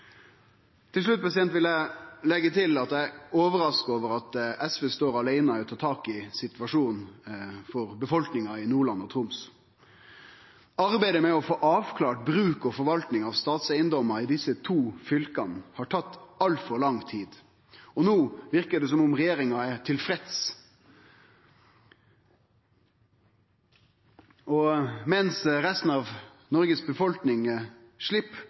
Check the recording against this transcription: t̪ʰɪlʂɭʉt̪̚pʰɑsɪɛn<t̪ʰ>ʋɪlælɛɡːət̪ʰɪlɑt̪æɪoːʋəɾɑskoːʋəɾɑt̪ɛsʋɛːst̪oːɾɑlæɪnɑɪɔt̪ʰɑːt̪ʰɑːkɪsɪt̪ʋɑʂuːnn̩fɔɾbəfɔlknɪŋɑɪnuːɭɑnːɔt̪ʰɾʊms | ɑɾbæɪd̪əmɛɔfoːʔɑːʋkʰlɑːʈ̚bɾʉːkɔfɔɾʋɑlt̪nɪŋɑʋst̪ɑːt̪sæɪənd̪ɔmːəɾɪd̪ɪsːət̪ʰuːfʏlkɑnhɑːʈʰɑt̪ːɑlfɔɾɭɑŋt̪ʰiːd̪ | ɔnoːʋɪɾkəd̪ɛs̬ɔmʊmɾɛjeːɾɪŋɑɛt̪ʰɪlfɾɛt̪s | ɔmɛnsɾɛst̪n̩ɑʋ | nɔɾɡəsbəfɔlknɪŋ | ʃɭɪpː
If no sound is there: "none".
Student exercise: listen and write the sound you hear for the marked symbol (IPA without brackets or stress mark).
t̪